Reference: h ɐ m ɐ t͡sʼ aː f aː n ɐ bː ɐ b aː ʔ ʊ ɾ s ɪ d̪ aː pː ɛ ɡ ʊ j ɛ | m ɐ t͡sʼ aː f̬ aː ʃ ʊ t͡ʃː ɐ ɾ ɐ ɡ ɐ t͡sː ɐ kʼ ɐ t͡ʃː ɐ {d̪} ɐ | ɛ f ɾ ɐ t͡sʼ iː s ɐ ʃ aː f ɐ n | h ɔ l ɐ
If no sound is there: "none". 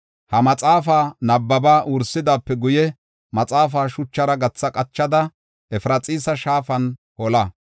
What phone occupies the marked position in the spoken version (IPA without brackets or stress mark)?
d̪